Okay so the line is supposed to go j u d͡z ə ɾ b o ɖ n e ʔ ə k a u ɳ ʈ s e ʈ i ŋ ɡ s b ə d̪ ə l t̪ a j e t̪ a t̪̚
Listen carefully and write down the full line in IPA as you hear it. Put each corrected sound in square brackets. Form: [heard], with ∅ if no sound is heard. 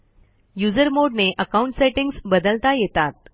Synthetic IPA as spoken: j u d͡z ə ɾ [m] o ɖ n e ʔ ə k a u ɳ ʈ s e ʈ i ŋ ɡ s b ə d̪ ə l t̪ a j e t̪ a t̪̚